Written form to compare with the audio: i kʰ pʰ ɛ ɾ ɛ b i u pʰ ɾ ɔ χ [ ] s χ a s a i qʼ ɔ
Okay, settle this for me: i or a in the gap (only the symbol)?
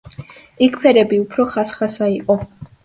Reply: a